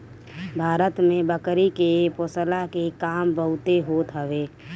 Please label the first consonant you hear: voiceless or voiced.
voiced